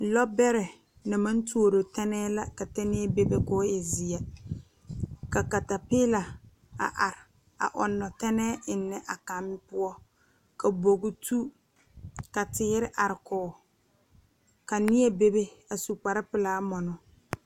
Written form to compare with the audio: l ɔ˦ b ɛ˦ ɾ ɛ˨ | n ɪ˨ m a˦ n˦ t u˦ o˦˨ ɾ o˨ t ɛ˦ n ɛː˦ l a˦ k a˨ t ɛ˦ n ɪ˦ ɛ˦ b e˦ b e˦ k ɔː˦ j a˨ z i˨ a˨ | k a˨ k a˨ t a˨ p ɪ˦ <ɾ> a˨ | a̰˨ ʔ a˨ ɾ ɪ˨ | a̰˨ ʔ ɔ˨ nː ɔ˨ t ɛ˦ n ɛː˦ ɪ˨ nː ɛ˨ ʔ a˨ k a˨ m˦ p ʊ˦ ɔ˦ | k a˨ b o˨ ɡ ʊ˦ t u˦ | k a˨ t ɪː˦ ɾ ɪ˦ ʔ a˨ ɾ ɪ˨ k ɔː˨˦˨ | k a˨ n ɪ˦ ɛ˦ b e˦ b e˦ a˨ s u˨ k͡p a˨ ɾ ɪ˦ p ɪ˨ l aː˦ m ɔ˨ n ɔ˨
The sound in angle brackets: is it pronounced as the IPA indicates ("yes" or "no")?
no